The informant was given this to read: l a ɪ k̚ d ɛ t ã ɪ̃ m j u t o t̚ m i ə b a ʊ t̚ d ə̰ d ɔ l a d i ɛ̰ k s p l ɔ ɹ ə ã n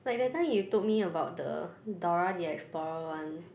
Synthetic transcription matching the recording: l a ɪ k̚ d ɛ t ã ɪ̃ m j u t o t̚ m i ə b a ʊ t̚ d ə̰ d ɔ ɹ a d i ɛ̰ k s p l ɔ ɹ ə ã n